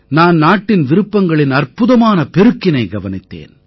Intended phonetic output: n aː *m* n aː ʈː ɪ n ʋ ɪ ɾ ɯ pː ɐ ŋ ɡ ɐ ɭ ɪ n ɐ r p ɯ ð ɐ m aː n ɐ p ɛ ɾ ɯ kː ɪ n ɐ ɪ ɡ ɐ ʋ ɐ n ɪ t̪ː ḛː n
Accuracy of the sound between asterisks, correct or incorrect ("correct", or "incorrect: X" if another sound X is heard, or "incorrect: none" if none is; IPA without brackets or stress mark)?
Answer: incorrect: n